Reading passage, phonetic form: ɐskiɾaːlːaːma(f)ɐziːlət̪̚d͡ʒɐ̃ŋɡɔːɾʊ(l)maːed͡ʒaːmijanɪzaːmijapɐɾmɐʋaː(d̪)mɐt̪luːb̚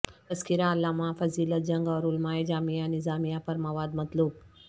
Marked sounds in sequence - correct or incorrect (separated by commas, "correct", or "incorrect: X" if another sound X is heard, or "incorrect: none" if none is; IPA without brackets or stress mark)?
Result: correct, correct, correct